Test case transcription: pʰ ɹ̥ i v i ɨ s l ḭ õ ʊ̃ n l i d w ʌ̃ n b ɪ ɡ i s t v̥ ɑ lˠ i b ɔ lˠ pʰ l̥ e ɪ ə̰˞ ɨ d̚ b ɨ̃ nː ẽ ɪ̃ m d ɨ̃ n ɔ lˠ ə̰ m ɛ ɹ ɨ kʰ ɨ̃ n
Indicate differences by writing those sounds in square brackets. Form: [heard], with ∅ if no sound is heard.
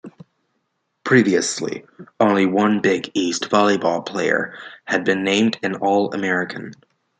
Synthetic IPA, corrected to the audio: pʰ ɹ̥ i v i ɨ s l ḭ õ ʊ̃ n l i [∅] w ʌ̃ n b ɪ ɡ i s t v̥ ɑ lˠ i b ɔ lˠ pʰ l̥ e ɪ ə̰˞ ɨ d̚ b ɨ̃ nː ẽ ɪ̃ m d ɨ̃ n ɔ lˠ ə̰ m ɛ ɹ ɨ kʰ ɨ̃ n

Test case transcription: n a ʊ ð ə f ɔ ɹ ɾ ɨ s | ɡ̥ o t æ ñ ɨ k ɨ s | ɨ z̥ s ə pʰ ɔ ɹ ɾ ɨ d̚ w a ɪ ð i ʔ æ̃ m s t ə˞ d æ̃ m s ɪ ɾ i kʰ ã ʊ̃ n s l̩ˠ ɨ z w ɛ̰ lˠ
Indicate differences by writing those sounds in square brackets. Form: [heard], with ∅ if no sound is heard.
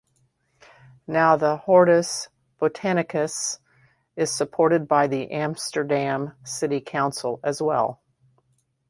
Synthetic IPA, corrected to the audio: n a ʊ ð ə [h] ɔ ɹ ɾ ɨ s | [b̥] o [tʰ] æ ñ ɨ k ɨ s | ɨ z̥ s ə pʰ ɔ ɹ ɾ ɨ d̚ [b] a ɪ ð i ʔ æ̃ m s t ə˞ d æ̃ m s ɪ ɾ i kʰ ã ʊ̃ n s l̩ˠ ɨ z w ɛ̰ lˠ

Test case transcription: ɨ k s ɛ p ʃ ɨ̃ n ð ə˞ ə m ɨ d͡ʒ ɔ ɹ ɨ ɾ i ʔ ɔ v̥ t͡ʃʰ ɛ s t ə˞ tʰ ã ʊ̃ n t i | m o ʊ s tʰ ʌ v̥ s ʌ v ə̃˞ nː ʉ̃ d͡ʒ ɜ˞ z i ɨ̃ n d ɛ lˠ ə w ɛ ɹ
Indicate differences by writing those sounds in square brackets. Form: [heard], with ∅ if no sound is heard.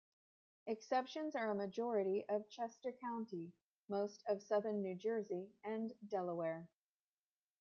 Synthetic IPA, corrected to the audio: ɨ k s ɛ p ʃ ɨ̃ n [z] ə˞ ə m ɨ d͡ʒ ɔ ɹ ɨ ɾ i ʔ [ʌ] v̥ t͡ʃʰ ɛ s t ə˞ [kʰ] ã ʊ̃ n t i | m o ʊ s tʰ ʌ v̥ s ʌ [ð] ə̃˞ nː [ʉ] d͡ʒ ɜ˞ z i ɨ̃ n d ɛ lˠ ə w ɛ ɹ

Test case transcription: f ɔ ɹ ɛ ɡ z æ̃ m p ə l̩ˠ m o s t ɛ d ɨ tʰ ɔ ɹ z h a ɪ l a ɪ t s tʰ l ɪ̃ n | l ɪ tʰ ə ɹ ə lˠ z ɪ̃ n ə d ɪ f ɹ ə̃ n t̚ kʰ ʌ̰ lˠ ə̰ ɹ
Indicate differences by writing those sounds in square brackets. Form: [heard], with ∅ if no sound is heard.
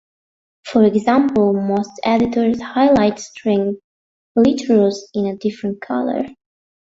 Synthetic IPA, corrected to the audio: f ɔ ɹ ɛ ɡ z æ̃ m p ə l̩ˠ m o s t ɛ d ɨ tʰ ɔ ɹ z h a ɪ l a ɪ t s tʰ [ɹ] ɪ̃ [ŋ] | l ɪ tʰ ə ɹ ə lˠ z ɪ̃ n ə d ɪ f ɹ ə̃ n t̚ kʰ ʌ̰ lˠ ə̰ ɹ

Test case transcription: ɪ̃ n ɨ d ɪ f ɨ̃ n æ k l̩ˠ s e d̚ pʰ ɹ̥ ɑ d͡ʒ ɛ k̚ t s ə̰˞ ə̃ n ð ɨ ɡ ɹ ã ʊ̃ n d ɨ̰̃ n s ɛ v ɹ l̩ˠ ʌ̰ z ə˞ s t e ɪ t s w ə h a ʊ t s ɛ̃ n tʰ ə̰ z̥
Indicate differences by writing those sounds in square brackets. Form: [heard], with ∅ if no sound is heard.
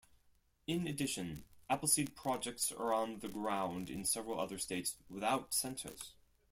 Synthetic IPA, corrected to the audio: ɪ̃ n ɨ d ɪ [ʃ] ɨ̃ n æ [p] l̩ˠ s [i] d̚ pʰ ɹ̥ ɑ d͡ʒ ɛ k̚ t s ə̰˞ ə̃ n ð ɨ ɡ ɹ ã ʊ̃ n d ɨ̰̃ n s ɛ v ɹ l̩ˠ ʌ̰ [ð] ə˞ s t e ɪ t s w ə [θ] a ʊ t s ɛ̃ n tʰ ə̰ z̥

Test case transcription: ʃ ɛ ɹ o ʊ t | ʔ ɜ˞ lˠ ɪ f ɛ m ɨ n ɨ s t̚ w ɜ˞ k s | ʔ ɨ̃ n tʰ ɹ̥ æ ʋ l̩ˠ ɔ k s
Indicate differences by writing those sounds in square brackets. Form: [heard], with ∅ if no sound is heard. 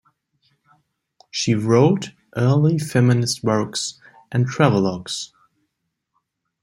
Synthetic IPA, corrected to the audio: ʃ [i] ɹ o ʊ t | ʔ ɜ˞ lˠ [i] f ɛ m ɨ n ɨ s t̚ w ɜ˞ k s | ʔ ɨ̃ n tʰ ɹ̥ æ [v] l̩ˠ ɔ k s

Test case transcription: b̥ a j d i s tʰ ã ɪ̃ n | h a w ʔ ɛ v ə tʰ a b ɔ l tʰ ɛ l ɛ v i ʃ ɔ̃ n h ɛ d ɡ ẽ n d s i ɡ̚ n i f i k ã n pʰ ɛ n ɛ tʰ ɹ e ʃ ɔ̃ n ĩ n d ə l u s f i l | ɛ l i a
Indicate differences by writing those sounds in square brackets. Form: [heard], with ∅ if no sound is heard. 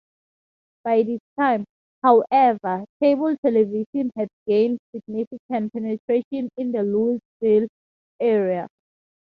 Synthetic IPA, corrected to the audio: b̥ a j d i s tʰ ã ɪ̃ [m] | h a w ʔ ɛ v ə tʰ [e] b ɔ l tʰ ɛ l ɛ v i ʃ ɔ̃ n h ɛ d ɡ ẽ n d s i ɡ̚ n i f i k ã n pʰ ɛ n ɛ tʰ ɹ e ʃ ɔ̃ n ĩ n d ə l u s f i l | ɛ [ɹ] i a

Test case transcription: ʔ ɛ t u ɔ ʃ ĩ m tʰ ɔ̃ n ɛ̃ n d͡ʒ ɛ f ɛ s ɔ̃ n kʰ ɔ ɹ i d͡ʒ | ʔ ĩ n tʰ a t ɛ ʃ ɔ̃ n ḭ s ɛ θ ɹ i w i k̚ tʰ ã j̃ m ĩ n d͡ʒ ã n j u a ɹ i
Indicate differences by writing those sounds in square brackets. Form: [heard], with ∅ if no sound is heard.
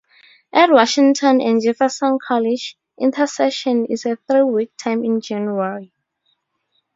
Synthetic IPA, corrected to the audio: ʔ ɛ t [w] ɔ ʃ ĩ [ŋ] tʰ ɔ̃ n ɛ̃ n d͡ʒ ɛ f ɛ s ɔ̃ n kʰ ɔ [l] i d͡ʒ | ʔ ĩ n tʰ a [s] ɛ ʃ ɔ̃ n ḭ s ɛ θ ɹ i w i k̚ tʰ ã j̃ m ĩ n d͡ʒ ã n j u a ɹ i

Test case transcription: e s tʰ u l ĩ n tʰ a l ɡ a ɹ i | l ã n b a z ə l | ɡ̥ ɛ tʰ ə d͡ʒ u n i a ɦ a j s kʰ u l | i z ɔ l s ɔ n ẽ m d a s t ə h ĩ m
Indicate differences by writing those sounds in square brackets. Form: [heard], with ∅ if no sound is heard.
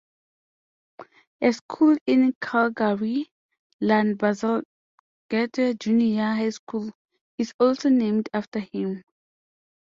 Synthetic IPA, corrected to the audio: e s [kʰ] u l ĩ n [kʰ] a l ɡ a ɹ i | l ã n b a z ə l | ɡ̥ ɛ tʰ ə d͡ʒ u n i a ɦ a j s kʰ u l | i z ɔ l s [o] n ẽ m d a [f] t ə h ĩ m

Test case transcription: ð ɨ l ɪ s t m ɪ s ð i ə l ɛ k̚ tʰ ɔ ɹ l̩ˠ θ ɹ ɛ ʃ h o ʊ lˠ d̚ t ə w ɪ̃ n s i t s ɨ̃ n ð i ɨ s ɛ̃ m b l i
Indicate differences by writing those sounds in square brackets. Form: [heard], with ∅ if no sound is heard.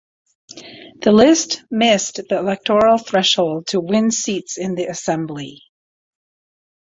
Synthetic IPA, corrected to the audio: ð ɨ l ɪ s t m ɪ s ð i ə l ɛ k̚ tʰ ɔ ɹ l̩ˠ θ ɹ ɛ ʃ h o ʊ lˠ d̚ [tʰ] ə w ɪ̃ n s i t s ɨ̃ n ð i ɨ s ɛ̃ m b l i

